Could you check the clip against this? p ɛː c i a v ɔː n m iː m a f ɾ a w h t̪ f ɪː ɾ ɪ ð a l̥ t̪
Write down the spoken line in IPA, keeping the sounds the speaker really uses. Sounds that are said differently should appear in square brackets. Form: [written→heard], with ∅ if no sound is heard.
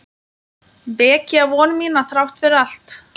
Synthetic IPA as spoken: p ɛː c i a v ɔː n m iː [m→n] a [f→θ] ɾ a w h t̪ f [ɪː→ɪ] ɾ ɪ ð a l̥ t̪